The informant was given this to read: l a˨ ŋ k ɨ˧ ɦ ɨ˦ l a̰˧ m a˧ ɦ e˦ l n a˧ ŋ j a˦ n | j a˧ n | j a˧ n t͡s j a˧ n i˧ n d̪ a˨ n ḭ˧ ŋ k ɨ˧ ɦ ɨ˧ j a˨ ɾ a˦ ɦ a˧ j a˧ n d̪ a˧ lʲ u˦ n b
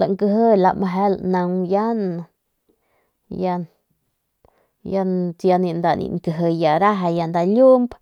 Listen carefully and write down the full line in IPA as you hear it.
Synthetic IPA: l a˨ ŋ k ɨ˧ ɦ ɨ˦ l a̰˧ m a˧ ɦ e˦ l n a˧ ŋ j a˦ n | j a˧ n | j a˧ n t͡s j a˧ n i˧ n d̪ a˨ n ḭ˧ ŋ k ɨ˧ ɦ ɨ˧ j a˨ ɾ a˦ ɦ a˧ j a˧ n d̪ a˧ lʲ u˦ m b